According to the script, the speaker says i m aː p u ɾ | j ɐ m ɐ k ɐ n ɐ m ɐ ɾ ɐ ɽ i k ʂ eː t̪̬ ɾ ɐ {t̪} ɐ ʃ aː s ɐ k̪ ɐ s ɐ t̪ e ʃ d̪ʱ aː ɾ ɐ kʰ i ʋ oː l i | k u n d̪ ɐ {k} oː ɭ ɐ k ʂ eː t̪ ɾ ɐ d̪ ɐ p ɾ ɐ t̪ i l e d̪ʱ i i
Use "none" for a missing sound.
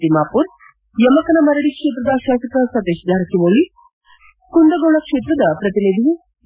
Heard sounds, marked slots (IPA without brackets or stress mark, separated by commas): d̪, ɡ